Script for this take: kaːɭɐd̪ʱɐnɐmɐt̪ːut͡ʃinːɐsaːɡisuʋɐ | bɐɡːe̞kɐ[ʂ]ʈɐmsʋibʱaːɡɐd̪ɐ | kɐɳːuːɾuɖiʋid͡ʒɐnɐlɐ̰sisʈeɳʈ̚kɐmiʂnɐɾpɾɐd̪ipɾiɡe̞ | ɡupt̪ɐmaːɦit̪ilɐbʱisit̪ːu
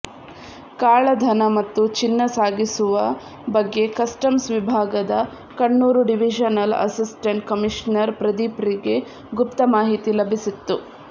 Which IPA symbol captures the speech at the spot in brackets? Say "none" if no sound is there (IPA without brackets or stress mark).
s